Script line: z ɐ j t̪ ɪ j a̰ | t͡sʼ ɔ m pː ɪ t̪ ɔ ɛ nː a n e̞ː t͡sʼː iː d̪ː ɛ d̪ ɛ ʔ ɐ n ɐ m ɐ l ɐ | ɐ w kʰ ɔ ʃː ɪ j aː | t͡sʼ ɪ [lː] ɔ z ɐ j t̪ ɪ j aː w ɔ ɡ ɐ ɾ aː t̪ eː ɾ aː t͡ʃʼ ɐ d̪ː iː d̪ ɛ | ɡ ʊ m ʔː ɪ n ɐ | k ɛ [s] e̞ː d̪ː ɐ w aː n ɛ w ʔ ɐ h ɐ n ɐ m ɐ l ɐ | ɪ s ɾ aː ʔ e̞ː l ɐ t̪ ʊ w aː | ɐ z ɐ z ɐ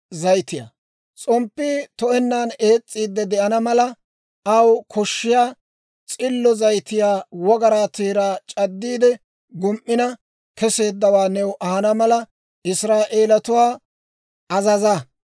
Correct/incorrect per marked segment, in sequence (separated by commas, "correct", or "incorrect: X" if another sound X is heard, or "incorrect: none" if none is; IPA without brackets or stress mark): correct, correct